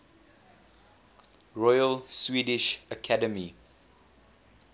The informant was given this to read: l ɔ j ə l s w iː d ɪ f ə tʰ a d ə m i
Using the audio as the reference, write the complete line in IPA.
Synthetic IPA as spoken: ɹ ɔ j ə l s w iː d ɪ ʃ ə kʰ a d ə m i